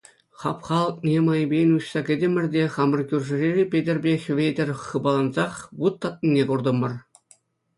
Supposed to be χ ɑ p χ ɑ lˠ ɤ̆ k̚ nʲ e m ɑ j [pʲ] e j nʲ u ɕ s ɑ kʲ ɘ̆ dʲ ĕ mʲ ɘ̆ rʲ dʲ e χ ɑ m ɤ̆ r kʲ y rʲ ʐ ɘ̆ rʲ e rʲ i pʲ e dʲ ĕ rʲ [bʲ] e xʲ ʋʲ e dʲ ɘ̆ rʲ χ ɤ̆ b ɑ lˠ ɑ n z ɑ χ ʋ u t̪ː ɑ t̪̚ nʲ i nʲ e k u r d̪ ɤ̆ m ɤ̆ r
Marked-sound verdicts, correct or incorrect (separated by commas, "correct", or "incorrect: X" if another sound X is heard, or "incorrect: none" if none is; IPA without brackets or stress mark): incorrect: bʲ, correct